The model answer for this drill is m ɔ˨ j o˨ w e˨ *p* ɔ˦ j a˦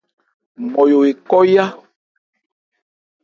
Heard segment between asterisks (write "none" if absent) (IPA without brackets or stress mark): k